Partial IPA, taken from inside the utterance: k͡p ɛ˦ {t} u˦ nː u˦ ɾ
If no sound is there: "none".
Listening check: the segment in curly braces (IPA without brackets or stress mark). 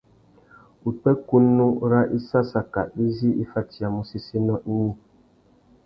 k